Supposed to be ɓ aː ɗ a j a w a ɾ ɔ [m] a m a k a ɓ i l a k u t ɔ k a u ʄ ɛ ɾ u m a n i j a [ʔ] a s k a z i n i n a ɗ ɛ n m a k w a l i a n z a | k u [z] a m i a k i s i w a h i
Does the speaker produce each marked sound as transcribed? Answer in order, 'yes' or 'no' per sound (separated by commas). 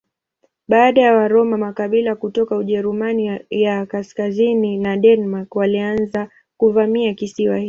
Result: yes, no, no